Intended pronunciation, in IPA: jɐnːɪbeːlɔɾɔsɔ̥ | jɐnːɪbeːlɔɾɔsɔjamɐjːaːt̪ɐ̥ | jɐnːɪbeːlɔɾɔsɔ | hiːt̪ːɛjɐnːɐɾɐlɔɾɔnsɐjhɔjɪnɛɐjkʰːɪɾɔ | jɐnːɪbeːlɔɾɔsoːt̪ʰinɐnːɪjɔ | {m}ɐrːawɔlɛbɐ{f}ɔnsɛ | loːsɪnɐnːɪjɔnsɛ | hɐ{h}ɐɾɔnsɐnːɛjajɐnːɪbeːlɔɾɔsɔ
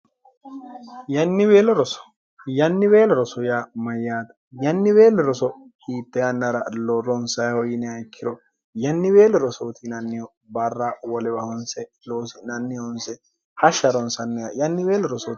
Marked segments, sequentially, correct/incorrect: incorrect: b, incorrect: h, incorrect: ʃ

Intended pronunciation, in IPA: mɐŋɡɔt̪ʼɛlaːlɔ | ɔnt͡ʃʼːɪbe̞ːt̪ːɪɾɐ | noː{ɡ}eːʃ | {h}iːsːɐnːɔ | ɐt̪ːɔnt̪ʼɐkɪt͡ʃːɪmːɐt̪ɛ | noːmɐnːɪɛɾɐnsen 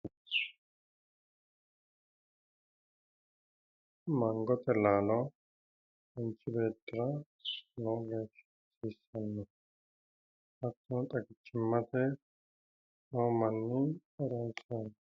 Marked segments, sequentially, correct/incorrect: correct, incorrect: s

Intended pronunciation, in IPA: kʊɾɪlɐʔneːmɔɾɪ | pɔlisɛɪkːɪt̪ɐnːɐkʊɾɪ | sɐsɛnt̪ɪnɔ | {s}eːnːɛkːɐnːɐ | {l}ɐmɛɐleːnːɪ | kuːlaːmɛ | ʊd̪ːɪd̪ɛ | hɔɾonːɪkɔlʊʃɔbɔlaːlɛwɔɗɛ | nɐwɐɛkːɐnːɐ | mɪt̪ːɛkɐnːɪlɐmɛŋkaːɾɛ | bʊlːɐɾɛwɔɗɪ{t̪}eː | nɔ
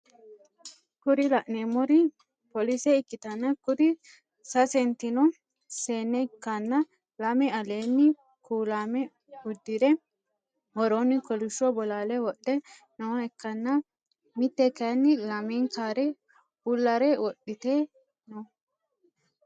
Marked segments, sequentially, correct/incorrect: correct, correct, correct

